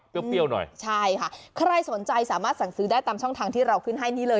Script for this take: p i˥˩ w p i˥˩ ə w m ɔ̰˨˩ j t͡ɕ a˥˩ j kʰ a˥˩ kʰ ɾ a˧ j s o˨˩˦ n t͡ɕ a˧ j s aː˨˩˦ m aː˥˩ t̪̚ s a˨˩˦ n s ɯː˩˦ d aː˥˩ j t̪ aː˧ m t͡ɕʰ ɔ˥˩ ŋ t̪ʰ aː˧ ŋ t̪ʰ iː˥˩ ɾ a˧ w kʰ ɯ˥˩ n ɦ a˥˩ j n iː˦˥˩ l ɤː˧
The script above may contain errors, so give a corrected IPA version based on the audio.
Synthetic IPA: p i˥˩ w p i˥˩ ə w n ɔ̰˨˩ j t͡ɕʰ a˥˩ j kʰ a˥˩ kʰ ɾ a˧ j s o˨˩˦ n t͡ɕ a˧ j s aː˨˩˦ m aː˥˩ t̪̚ s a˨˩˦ ŋ s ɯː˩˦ d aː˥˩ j t̪ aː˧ m t͡ɕʰ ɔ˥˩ ŋ t̪ʰ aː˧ ŋ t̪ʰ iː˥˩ ɾ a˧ w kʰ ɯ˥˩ n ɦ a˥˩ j n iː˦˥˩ l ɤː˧